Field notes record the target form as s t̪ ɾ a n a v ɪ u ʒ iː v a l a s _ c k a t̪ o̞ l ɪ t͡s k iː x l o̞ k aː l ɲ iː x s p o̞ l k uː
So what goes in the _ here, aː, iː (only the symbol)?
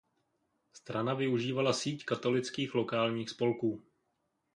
iː